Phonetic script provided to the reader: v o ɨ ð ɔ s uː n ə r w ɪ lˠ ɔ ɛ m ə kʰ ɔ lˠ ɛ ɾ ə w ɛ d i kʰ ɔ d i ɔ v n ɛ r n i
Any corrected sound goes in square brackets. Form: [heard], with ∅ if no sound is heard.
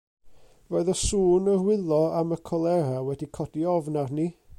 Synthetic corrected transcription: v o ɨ ð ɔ s uː n ə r w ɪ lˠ ɔ [a] m ə kʰ ɔ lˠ ɛ ɾ [a] w ɛ d i kʰ ɔ d i ɔ v n [a] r n i

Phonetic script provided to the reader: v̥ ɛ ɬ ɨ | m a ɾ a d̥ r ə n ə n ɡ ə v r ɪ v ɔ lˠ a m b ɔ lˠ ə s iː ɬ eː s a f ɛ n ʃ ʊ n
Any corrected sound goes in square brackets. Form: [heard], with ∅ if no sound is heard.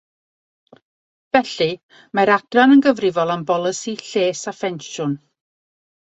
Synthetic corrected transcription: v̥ ɛ ɬ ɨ | m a ɾ a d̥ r [a] n ə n ɡ ə v r ɪ v ɔ lˠ a m b ɔ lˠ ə s [i] ɬ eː s a f ɛ n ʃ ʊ n

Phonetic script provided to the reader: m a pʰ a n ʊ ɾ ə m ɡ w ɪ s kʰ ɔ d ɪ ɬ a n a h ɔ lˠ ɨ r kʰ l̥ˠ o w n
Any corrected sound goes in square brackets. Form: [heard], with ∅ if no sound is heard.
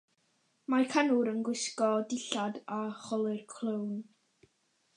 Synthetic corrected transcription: m a [kʰ] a n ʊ ɾ ə [n] ɡ w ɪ s [k] ɔ d ɪ ɬ a [d] a [χ] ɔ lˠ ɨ r kʰ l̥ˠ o w n

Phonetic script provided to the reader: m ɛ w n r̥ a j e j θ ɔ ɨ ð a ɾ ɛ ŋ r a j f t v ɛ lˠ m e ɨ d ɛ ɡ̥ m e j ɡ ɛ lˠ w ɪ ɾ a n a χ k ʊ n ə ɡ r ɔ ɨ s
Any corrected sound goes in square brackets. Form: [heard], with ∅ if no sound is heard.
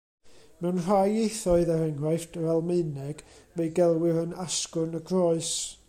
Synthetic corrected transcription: m ɛ w n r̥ a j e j θ ɔ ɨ ð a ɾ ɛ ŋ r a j f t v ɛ lˠ m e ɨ [n] ɛ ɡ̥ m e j ɡ ɛ lˠ w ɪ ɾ [ə] n a [s] k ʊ n ə ɡ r ɔ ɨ s

